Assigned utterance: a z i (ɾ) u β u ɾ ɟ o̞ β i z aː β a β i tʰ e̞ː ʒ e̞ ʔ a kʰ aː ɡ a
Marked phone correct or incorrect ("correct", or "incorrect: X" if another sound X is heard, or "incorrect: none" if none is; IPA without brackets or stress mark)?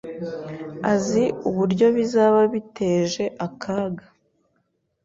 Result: incorrect: none